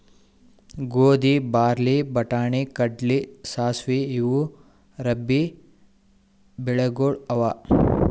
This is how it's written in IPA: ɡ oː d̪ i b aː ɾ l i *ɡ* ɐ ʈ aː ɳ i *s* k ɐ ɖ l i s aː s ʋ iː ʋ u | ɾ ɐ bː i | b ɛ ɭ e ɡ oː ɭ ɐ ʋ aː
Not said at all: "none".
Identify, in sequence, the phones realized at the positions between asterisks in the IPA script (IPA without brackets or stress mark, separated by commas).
b, none